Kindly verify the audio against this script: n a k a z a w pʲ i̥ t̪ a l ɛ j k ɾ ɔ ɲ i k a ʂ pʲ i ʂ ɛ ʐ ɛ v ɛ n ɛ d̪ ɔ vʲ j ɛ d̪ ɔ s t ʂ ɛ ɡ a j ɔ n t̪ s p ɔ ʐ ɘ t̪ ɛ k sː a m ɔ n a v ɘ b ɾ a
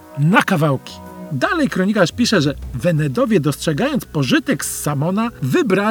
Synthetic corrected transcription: n a k a v a w kʲ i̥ d̪ a l ɛ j k ɾ ɔ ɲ i k a ʂ pʲ i ʂ ɛ ʐ ɛ v ɛ n ɛ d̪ ɔ vʲ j ɛ d̪ ɔ s t ʂ ɛ ɡ a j ɔ n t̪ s p ɔ ʐ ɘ t̪ ɛ k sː a m ɔ n a v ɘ b ɾ a